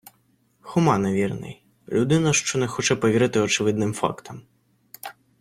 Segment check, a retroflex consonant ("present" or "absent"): present